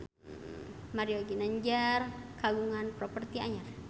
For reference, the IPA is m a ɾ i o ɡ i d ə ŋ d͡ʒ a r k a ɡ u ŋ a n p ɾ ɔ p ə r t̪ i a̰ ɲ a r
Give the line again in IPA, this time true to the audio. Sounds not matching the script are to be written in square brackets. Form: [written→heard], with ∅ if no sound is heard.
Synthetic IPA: m a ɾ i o ɡ i [d→n] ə [ŋ→ɲ] d͡ʒ a r k a ɡ u ŋ a n p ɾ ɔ p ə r t̪ i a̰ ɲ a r